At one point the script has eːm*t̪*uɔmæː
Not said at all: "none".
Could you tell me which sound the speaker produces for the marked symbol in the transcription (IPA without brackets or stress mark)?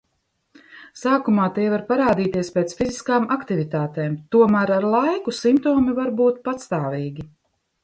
t̪